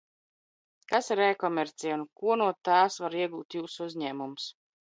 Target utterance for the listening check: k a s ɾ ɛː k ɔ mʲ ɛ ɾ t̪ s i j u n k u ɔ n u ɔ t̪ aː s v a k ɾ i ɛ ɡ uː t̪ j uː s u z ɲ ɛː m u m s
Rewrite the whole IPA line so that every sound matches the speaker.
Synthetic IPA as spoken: k a s ɾ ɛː k ɔ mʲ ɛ ɾ t̪ s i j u n k u ɔ n u ɔ t̪ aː s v a ɾ i ɛ ɡ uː t̪ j uː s u z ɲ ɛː m u m s